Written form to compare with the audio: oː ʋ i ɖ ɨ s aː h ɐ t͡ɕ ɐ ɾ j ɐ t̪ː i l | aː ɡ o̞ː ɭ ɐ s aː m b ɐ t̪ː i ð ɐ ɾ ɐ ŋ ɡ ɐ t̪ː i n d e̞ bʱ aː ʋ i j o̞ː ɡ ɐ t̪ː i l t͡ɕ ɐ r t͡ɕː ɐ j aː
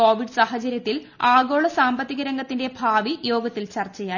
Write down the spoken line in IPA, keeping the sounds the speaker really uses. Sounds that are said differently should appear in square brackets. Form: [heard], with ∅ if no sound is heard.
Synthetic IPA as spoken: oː ʋ i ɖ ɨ s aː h ɐ t͡ɕ ɐ ɾ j ɐ t̪ː i l | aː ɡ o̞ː ɭ ɐ s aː m b ɐ t̪ː i [ɣ] ɐ ɾ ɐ ŋ ɡ ɐ t̪ː i n d e̞ bʱ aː ʋ i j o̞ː ɡ ɐ t̪ː i l t͡ɕ ɐ r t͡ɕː ɐ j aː